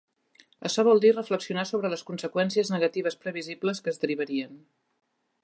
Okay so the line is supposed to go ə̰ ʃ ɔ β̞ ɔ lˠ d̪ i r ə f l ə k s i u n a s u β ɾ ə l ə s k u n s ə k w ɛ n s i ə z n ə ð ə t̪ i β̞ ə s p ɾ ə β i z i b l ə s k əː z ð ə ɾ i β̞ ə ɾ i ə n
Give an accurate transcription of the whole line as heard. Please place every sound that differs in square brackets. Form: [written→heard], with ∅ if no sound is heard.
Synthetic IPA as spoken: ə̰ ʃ ɔ β̞ ɔ lˠ d̪ i r ə f l ə k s i u n a s [u→o] β ɾ ə l ə s k u n s ə k w ɛ n s i ə z n ə [ð→ɣ] ə t̪ i β̞ ə s p ɾ ə β i z i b l ə s k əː z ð ə ɾ i β̞ ə ɾ i ə n